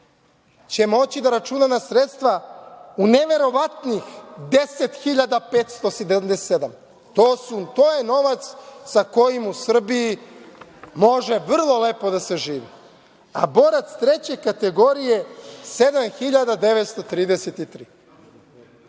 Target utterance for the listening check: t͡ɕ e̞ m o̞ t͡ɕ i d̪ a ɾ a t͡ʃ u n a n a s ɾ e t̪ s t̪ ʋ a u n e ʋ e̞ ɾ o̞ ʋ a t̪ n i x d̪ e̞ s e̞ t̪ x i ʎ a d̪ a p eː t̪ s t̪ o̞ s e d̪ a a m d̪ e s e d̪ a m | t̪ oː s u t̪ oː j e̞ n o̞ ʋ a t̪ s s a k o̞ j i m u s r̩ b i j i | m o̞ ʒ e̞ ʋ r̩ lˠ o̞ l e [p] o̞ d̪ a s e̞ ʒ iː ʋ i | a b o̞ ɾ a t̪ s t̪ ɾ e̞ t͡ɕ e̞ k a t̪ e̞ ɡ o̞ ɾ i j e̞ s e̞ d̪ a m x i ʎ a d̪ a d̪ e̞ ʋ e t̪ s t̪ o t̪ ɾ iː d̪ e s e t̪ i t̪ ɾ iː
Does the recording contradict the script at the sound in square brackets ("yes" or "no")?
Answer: no